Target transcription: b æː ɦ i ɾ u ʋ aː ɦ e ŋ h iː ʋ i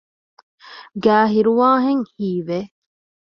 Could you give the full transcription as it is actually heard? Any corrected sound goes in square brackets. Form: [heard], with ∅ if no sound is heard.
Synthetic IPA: [ɡ] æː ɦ i ɾ u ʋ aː ɦ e ŋ h iː ʋ [e]